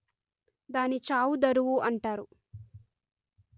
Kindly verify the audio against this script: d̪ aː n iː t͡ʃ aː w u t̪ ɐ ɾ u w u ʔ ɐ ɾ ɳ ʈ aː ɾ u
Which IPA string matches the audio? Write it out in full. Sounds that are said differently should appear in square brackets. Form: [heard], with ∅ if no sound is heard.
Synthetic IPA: d̪ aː n [i] t͡ʃ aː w u [d̪] ɐ ɾ u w u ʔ ɐ [∅] ɳ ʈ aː ɾ u

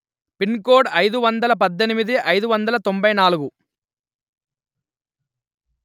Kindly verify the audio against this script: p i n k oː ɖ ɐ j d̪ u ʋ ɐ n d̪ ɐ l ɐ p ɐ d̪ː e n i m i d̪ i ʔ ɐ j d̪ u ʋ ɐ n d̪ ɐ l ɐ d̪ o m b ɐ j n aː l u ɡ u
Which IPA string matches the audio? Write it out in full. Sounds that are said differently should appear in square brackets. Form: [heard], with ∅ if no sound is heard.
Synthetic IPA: p i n k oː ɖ ɐ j d̪ u ʋ ɐ n d̪ ɐ l ɐ p ɐ d̪ː e n i m i d̪ i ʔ ɐ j d̪ u ʋ ɐ n d̪ ɐ l ɐ [t̪] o m b ɐ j n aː l u ɡ u

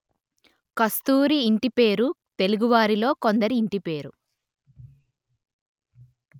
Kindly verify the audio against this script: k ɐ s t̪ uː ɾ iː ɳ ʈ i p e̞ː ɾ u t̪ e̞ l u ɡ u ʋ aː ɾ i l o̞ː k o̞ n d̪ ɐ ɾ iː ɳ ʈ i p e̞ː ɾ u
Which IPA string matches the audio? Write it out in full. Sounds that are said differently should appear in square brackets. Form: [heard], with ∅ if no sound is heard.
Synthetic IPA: k ɐ s t̪ uː ɾ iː ɳ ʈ i p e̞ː ɾ u t̪ e̞ l u ɡ u ʋ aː ɾ i l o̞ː k o̞ n d̪ ɐ ɾ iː ɳ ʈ i p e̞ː ɾ u

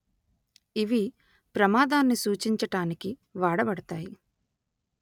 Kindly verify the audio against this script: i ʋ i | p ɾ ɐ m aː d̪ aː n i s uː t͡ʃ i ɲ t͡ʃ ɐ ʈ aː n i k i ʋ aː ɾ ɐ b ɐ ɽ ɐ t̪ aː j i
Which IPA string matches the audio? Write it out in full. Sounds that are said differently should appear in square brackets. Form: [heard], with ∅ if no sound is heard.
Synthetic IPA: i ʋ i | p ɾ ɐ m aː d̪ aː [nː] i s uː t͡ʃ i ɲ t͡ʃ ɐ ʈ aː n i k i ʋ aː [ɽ] ɐ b ɐ ɽ ɐ t̪ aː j i

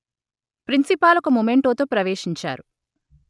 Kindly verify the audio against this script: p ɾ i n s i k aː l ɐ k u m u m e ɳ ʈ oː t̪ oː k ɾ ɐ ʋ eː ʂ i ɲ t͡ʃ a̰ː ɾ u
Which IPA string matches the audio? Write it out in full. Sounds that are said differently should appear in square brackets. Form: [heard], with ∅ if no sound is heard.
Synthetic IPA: p ɾ i n s i [p] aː l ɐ k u m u m e ɳ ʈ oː t̪ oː [p] ɾ ɐ ʋ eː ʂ i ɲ t͡ʃ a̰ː ɾ u

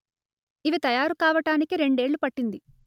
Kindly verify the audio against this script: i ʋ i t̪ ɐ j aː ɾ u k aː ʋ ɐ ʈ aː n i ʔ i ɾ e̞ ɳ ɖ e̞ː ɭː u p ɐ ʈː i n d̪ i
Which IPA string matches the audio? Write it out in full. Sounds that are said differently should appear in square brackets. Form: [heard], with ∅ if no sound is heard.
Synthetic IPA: i ʋ i t̪ ɐ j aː ɾ u k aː ʋ ɐ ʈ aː n i [k] i ɾ e̞ ɳ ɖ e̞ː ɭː u p ɐ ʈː i n d̪ i

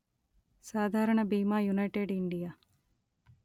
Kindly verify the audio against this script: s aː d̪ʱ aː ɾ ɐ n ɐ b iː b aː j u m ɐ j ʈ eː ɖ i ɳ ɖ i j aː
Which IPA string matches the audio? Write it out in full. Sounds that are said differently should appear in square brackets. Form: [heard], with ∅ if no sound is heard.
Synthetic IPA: s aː d̪ʱ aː ɾ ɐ [ɳ] ɐ b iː [m] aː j u [n] ɐ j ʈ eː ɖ i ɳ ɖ i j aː

